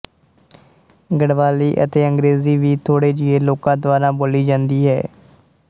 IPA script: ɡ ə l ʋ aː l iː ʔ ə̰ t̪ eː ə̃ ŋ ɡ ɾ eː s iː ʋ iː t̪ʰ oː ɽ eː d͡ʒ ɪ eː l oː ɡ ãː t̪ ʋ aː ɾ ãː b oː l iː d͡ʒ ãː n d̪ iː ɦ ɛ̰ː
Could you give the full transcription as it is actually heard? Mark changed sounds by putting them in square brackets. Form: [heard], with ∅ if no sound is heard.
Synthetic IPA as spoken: ɡ ə [ɽ] ʋ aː l iː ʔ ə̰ t̪ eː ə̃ ŋ ɡ ɾ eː [z] iː ʋ iː t̪ʰ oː ɽ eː d͡ʒ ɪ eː l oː [k] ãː [d̪] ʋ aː ɾ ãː b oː l iː d͡ʒ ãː n d̪ iː ɦ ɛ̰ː